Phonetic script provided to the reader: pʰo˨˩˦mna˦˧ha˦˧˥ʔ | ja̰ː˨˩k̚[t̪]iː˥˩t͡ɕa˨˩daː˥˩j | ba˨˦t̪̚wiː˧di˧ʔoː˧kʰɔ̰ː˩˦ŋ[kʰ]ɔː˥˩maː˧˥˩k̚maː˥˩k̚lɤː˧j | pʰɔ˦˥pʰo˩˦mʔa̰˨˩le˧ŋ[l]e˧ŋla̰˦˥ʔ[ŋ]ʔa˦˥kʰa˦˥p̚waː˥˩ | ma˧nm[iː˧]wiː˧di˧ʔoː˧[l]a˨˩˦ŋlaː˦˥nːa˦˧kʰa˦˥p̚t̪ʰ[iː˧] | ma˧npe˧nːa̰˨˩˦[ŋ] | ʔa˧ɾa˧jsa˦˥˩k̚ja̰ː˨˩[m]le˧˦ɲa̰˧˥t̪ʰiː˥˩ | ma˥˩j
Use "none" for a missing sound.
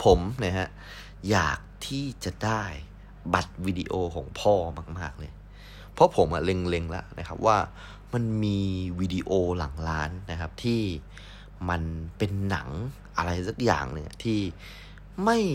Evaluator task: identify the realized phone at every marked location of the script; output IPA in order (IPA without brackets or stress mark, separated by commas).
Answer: t̪ʰ, pʰ, l, n, iː˧, l, iː˥˩, ŋ, ŋ